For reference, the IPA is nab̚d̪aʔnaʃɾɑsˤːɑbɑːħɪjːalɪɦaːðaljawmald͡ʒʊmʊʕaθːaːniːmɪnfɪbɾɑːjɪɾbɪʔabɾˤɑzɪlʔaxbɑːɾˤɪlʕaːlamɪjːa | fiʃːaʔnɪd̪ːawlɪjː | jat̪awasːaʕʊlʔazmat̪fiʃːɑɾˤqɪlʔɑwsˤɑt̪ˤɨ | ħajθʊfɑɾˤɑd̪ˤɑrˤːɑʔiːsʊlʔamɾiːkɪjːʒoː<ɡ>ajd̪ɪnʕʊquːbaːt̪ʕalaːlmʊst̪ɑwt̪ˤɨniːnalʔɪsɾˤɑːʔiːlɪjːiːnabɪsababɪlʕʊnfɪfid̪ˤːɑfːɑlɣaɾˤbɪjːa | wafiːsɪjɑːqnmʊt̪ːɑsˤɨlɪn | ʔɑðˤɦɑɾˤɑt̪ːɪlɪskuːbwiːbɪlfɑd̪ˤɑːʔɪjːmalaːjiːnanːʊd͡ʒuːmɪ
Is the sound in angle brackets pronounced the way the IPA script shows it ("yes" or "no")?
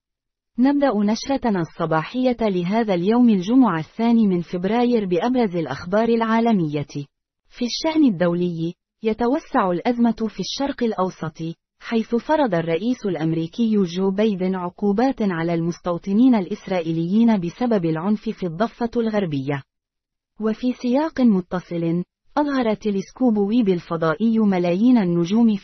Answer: no